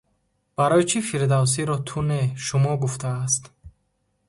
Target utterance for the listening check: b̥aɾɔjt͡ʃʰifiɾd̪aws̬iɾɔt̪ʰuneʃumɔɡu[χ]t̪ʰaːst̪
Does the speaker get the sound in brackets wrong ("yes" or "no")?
yes